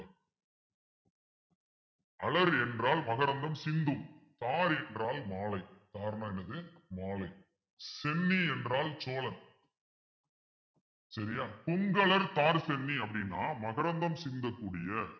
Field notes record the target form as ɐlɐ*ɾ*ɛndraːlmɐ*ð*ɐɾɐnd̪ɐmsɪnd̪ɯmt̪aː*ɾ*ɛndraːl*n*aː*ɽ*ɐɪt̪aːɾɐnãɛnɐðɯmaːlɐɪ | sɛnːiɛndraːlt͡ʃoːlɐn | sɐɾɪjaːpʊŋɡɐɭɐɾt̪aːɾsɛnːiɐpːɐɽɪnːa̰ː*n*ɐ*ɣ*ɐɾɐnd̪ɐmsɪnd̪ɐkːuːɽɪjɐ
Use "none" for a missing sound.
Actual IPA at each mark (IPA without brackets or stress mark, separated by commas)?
ɾ, ɣ, ɾ, m, l, m, ɣ